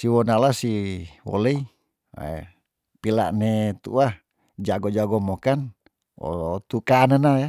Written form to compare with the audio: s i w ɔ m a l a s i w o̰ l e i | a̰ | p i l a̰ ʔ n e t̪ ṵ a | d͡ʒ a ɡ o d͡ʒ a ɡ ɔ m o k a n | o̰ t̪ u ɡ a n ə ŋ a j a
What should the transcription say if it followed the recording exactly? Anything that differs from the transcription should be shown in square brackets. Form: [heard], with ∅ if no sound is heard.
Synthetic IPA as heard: s i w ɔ [n] a l a s i w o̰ l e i | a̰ | p i l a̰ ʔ n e t̪ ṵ a | d͡ʒ a ɡ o d͡ʒ a ɡ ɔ m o k a n | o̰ t̪ u [k] a n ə [n] a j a

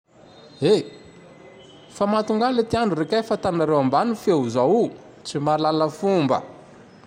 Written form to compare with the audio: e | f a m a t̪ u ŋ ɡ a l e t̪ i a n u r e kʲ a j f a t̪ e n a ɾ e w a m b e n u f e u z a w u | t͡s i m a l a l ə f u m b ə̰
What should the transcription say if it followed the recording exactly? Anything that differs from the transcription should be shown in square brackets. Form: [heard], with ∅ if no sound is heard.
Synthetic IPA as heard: e | f a m a t̪ u ŋ ɡ a l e t̪ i a n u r e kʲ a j f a t̪ [a] n a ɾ e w a m b [a] n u f e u z a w u | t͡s i m a l a l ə f u m b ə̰

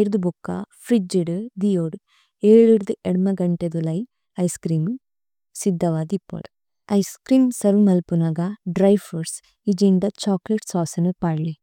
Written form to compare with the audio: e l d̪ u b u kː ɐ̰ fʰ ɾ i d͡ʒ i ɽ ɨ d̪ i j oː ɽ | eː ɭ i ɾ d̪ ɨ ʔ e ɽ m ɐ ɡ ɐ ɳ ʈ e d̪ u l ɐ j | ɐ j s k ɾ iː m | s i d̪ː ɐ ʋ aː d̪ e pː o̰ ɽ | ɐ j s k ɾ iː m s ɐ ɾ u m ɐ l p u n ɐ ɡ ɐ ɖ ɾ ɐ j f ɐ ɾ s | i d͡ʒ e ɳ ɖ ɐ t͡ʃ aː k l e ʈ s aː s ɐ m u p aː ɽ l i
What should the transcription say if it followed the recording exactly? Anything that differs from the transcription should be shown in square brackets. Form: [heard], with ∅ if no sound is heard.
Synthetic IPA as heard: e [ɾ] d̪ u b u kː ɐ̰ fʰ ɾ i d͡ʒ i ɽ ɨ d̪ i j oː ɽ | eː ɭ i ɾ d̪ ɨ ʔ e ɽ m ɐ ɡ ɐ ɳ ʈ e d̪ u l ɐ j | ɐ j s k ɾ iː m | s i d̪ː ɐ ʋ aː d̪ [i] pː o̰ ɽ | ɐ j s k ɾ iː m s ɐ ɾ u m ɐ l p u n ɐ ɡ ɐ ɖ ɾ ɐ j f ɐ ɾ s | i d͡ʒ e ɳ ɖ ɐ t͡ʃ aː k l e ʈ s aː s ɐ [n] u p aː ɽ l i

